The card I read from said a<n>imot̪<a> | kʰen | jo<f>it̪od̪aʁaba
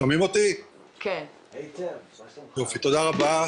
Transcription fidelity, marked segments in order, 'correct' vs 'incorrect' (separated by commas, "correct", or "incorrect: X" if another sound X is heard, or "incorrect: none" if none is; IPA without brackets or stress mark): incorrect: m, incorrect: i, correct